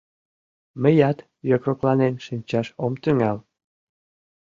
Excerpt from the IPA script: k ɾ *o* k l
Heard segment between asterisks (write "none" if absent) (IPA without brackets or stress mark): o